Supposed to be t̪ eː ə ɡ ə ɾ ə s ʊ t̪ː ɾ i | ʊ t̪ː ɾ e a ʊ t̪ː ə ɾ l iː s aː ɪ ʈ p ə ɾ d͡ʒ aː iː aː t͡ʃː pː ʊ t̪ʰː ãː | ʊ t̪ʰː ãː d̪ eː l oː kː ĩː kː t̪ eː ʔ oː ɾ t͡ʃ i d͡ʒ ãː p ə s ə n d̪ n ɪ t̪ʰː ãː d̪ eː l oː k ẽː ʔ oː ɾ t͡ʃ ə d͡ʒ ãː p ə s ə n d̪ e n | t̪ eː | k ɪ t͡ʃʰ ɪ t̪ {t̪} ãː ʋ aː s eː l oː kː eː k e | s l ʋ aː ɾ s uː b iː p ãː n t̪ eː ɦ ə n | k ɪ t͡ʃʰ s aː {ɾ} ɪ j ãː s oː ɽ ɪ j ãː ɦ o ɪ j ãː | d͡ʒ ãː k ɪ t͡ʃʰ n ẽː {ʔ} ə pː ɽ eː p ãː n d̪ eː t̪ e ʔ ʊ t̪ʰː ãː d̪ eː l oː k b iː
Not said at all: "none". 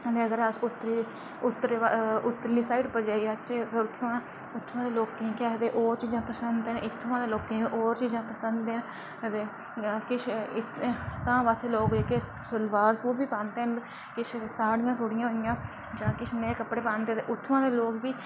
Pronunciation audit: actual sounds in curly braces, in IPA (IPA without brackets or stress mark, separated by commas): t̪, ɽ, k